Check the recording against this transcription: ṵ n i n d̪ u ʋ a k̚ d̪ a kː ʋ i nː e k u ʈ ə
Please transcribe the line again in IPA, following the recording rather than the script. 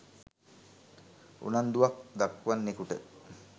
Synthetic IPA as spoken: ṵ n a n d̪ u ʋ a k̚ d̪ a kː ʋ a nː e k u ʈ ə